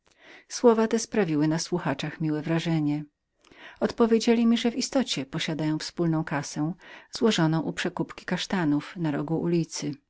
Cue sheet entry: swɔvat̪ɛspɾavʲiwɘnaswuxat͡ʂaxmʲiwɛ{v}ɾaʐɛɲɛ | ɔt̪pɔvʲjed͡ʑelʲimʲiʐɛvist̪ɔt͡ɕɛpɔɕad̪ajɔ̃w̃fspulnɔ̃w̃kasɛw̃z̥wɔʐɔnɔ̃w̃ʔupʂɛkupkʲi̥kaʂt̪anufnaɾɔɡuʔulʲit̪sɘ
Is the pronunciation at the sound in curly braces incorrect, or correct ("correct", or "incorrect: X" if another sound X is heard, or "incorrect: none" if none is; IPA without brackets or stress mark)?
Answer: correct